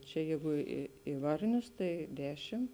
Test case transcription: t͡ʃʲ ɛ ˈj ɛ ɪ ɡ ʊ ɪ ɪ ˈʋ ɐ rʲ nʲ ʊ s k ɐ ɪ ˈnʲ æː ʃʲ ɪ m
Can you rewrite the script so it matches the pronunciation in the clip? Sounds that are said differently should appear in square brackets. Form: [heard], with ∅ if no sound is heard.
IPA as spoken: t͡ʃʲ ɛ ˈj ɛ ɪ ɡ ʊ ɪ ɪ ˈʋ ɐ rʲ nʲ ʊ s [t] ɐ ɪ [ˈdʲ] æː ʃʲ ɪ m